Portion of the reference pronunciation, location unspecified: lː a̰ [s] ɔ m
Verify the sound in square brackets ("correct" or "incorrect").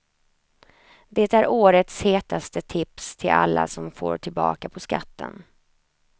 correct